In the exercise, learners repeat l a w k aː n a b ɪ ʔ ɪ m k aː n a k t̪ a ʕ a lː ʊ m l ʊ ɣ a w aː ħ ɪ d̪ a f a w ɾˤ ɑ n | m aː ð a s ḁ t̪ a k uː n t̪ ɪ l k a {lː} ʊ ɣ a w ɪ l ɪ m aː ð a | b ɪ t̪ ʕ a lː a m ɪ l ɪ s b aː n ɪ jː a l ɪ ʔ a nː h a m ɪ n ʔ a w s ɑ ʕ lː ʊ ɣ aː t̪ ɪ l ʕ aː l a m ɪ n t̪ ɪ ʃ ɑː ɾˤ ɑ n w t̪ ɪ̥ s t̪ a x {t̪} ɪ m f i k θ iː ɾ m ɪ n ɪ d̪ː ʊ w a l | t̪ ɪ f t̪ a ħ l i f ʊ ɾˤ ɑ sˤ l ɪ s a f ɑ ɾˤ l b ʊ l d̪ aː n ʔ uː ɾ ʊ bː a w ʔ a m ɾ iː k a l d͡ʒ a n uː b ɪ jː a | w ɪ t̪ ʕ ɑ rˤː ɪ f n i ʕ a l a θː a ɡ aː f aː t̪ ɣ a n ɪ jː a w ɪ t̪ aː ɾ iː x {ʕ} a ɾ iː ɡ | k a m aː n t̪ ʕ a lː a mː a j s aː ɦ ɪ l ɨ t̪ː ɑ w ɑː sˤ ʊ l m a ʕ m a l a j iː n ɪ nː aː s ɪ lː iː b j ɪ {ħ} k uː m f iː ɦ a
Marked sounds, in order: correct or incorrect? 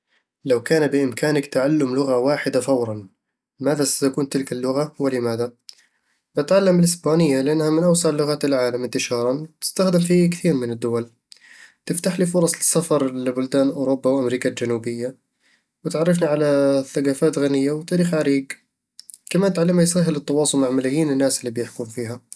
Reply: correct, incorrect: d̪, correct, correct

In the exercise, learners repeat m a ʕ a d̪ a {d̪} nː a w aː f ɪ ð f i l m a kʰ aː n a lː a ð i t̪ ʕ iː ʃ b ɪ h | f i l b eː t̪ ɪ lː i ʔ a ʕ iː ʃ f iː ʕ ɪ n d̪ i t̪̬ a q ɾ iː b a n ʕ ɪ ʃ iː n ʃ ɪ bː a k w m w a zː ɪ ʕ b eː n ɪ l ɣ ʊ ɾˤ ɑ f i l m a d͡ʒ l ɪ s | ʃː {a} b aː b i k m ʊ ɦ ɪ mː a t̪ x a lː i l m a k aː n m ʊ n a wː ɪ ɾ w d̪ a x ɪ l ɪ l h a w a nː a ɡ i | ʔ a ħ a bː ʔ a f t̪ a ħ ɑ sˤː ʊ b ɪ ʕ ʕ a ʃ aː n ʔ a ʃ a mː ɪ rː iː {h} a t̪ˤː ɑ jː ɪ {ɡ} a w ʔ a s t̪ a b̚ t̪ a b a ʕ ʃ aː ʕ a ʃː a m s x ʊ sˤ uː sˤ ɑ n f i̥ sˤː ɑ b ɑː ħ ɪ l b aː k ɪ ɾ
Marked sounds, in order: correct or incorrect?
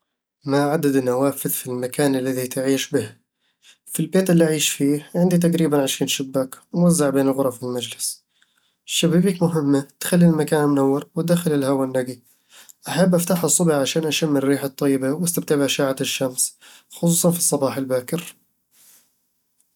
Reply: correct, correct, incorrect: ħ, incorrect: b

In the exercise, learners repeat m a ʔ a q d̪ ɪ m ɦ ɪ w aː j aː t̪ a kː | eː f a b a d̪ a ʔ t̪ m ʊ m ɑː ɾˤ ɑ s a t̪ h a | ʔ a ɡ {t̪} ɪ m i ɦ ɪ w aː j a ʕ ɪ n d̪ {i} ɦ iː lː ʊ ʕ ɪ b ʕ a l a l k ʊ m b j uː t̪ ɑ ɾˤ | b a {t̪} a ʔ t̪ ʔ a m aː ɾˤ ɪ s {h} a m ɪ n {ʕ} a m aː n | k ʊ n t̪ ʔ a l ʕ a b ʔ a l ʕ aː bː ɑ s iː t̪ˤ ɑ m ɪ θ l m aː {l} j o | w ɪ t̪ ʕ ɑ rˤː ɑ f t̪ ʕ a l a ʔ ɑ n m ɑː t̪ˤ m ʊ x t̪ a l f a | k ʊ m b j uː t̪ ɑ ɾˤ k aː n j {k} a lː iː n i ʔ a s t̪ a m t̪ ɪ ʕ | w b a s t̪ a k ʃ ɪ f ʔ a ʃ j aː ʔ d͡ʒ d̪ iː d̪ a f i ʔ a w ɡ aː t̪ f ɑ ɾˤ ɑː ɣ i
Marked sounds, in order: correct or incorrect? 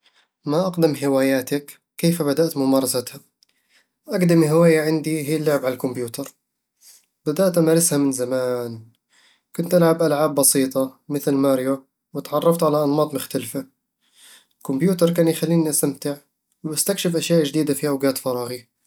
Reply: incorrect: d̪, correct, incorrect: d̪, correct, incorrect: z, incorrect: ɾ, incorrect: x

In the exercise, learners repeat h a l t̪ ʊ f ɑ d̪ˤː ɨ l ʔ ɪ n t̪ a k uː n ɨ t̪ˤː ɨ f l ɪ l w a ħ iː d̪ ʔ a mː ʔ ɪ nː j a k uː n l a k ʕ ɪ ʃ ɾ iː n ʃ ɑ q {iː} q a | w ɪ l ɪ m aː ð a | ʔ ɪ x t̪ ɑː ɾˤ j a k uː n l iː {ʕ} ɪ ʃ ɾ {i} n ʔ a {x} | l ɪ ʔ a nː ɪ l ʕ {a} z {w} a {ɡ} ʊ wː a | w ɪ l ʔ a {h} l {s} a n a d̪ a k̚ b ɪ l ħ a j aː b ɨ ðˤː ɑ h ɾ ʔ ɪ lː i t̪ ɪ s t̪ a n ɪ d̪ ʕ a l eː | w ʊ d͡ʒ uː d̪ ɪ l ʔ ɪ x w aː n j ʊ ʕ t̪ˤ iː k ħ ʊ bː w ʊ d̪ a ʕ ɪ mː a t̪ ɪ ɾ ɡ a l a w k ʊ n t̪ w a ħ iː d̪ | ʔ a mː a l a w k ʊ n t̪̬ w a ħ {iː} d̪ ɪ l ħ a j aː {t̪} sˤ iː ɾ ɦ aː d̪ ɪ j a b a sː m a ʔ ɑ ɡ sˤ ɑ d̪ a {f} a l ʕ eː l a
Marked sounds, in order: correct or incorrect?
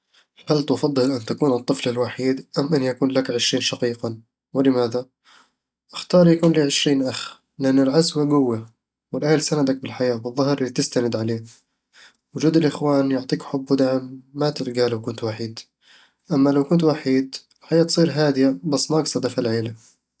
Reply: correct, correct, incorrect: iː, correct, correct, correct, correct, correct, correct, correct, correct, correct

